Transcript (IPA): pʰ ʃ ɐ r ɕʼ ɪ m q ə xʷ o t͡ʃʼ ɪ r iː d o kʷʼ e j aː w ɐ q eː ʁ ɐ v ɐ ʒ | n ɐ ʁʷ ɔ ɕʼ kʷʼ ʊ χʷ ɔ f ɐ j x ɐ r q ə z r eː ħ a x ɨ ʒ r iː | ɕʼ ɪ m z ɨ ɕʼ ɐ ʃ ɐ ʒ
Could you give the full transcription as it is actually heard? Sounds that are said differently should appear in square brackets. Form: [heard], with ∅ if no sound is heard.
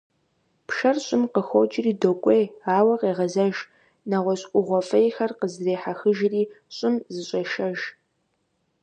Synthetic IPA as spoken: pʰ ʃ ɐ r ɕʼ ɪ m q ə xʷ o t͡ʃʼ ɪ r iː d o kʷʼ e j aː w ɐ q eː ʁ ɐ [z] ɐ ʒ | n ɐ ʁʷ ɔ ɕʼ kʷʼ ʊ [ʁʷ] ɔ f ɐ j x ɐ r q ə z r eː ħ a x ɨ ʒ r iː | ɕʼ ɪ m z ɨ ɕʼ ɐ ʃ ɐ ʒ